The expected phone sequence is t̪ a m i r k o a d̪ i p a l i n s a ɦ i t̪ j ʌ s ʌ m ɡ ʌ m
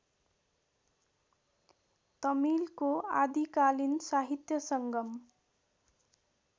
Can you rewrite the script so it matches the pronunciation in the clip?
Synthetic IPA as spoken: t̪ ʌ m i l k o a d̪ i k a l i n s a ɦ i t̪ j ʌ s ʌ ŋ ɡ ʌ m